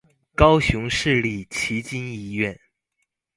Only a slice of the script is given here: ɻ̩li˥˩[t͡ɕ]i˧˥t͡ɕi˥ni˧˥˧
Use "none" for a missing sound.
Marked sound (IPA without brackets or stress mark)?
t͡ɕʰ